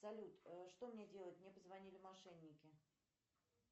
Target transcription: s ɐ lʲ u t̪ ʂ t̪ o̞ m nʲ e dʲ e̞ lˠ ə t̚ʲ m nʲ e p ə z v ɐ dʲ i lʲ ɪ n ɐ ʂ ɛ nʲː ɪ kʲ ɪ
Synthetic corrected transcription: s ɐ lʲ u t̪ ʂ t̪ o̞ m nʲ e dʲ e̞ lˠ ə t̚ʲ m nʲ e p ə z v ɐ nʲ i lʲ ɪ m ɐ ʂ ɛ nʲː ɪ kʲ ɪ